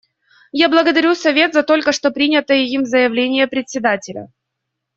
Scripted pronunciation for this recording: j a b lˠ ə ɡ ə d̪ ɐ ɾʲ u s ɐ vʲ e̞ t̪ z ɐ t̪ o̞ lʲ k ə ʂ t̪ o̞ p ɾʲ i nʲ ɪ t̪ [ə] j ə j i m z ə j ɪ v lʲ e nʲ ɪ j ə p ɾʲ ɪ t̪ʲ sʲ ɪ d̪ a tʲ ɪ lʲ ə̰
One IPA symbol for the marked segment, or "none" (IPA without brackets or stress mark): ə